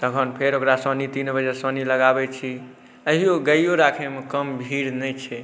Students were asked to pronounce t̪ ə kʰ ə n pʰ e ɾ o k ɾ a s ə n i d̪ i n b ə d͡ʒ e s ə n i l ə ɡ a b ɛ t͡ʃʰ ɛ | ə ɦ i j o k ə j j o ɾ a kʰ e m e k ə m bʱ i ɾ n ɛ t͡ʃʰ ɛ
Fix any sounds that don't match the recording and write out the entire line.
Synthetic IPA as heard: t̪ ə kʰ ə n pʰ e ɾ o k ɾ a s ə n i t̪ i n b ə d͡ʒ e s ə n i l ə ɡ a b ɛ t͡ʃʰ i | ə ɦ i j o ɡ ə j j o ɾ a kʰ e m e k ə m bʱ i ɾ n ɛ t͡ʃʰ ɛ